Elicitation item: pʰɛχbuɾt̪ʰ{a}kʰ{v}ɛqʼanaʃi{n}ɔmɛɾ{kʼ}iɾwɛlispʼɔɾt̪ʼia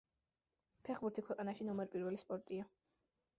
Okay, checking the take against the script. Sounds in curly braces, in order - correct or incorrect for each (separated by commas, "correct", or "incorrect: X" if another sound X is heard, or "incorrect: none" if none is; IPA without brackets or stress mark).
incorrect: i, incorrect: w, correct, incorrect: pʼ